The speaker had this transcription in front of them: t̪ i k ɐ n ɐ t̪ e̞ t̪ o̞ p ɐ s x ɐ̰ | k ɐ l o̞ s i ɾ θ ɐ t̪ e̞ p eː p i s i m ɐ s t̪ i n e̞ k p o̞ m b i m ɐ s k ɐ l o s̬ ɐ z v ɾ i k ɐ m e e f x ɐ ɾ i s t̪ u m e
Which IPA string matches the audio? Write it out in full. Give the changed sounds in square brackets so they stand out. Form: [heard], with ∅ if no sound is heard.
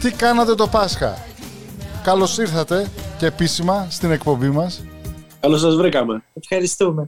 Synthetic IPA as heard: t̪ i k ɐ n ɐ t̪ e̞ t̪ o̞ p ɐ s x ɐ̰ | k ɐ l o̞ s i ɾ θ ɐ t̪ e̞ [c] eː p i s i m ɐ s t̪ i n e̞ k p o̞ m b i m ɐ s k ɐ l o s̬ ɐ z v ɾ i k ɐ m e e f x ɐ ɾ i s t̪ u m e